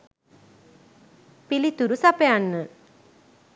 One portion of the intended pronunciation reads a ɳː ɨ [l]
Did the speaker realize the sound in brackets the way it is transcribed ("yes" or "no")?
no